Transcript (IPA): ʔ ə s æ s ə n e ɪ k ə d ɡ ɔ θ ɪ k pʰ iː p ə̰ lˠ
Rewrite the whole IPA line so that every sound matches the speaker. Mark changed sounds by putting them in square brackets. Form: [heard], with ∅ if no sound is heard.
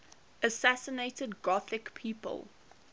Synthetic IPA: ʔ ə s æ s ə n e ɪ [t] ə d ɡ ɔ θ ɪ k pʰ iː p ə̰ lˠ